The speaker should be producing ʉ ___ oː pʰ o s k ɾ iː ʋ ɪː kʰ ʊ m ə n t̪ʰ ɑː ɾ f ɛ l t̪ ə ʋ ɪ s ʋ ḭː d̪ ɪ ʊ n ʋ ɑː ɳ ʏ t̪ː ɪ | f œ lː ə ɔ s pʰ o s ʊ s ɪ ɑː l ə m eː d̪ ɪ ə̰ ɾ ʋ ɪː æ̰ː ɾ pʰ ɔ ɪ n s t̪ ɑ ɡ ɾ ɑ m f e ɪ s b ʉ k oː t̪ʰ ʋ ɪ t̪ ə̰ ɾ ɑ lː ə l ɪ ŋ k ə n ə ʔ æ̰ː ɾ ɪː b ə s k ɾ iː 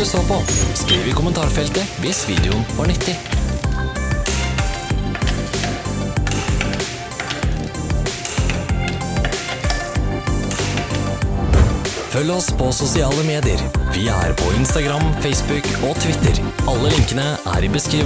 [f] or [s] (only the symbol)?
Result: s